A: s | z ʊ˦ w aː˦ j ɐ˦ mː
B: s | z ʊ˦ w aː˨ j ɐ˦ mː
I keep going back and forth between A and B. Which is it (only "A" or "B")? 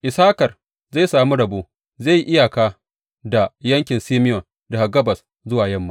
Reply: B